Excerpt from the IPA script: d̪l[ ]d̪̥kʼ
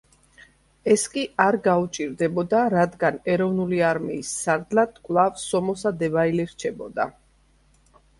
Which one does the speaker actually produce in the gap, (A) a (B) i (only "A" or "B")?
A